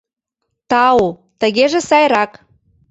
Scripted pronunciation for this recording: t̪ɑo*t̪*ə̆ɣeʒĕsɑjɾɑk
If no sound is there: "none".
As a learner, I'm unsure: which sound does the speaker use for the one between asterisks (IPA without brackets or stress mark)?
t̪